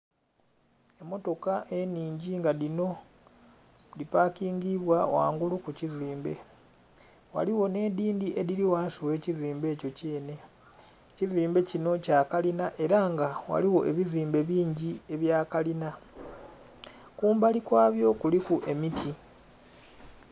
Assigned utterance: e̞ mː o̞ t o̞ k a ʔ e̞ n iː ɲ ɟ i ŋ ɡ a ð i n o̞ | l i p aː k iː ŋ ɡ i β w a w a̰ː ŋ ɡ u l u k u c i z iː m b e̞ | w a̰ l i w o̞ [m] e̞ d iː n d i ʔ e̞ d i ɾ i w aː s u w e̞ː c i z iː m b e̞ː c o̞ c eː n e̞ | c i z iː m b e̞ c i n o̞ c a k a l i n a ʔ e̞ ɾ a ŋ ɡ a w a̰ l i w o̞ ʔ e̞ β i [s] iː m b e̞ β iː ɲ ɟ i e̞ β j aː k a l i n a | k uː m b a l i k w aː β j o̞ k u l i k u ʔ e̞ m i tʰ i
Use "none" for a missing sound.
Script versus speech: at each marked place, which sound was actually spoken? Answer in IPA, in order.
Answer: n, z

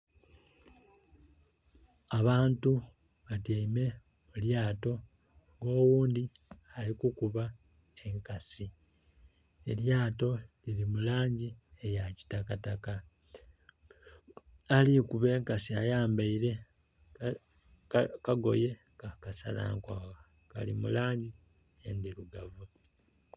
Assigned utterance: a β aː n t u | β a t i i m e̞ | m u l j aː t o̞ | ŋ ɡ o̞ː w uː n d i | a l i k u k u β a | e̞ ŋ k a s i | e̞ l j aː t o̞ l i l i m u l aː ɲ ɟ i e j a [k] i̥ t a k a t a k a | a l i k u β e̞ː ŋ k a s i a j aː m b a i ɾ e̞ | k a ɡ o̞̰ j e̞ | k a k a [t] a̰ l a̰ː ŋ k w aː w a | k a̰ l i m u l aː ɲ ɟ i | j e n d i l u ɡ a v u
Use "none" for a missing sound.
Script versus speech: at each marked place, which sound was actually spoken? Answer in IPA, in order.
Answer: c, s

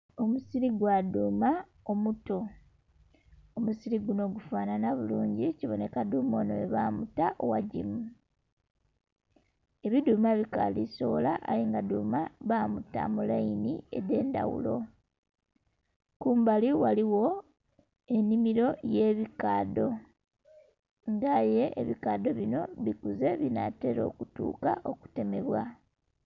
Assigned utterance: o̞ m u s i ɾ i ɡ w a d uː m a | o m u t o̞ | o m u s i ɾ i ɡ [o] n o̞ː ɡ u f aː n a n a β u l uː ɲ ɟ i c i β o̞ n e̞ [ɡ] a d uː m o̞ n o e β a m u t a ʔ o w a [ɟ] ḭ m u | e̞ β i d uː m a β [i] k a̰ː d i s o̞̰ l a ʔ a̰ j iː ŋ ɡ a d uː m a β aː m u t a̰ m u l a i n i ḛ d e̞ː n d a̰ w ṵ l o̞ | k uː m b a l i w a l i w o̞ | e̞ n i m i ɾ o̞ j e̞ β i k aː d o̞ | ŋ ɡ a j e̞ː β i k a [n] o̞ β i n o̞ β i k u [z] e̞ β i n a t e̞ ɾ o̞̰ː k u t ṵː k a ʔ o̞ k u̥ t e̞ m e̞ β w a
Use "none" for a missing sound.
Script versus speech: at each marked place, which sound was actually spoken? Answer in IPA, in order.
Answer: u, k, ɟ, i, d, z

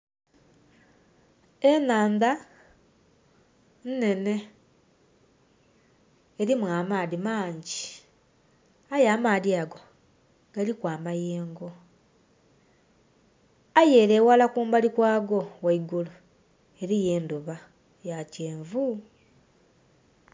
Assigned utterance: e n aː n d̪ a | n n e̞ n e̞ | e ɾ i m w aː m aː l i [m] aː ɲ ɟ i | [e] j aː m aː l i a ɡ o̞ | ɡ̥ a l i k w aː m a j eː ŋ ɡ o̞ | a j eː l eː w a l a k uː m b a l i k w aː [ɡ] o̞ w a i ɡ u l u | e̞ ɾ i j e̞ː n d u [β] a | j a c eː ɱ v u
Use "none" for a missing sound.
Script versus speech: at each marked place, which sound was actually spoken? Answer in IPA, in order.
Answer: m, a, ɡ, β

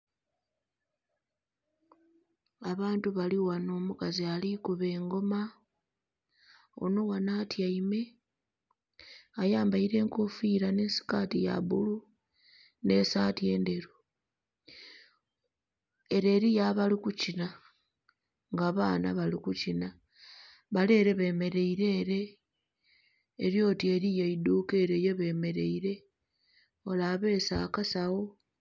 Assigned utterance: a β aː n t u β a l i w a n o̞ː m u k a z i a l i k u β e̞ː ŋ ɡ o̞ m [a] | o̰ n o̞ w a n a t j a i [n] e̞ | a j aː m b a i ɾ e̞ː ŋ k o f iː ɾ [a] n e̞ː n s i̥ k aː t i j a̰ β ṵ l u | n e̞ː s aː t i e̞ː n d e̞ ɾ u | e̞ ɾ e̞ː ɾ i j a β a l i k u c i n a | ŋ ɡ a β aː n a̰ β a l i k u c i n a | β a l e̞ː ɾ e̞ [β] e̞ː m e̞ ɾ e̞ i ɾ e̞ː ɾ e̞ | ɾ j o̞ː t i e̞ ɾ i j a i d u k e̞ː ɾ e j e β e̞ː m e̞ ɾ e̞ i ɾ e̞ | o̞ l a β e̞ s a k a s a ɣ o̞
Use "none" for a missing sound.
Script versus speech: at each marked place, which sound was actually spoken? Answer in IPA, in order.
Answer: a, m, a, β

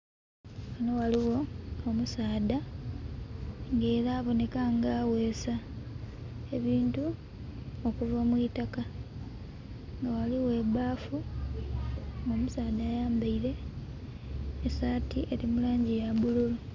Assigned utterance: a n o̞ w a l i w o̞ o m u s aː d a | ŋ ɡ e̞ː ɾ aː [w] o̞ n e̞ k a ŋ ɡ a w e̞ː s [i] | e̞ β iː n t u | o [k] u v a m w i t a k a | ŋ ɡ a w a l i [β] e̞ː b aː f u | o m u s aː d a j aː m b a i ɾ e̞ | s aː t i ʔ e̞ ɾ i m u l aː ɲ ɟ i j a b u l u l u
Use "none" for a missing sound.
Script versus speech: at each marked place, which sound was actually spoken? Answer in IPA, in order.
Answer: β, a, k, w

